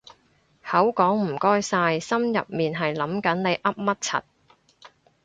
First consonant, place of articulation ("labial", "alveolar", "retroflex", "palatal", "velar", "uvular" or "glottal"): glottal